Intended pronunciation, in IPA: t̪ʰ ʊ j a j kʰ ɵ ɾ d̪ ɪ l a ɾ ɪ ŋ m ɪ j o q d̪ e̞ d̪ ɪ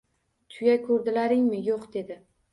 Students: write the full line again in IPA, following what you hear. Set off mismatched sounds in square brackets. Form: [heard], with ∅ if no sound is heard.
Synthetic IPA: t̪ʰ ʊ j a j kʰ ɵ ɾ d̪ ɪ l a ɾ ɪ ŋ m ɪ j o q d̪ e̞ d̪ ɪ